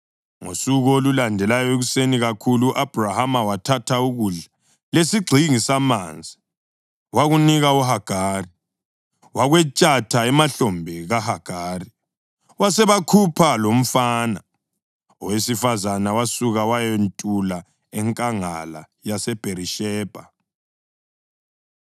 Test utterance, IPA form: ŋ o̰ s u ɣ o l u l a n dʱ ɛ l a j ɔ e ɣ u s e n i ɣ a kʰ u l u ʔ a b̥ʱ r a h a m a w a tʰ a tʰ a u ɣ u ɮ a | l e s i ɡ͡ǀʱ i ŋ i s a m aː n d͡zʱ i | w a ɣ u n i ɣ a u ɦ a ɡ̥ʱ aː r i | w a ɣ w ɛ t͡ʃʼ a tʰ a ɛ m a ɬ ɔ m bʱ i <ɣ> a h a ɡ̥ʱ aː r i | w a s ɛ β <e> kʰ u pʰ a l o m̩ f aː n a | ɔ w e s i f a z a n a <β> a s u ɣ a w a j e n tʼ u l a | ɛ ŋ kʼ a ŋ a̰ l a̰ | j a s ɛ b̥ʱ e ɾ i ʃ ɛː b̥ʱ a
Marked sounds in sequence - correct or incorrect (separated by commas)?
correct, incorrect, incorrect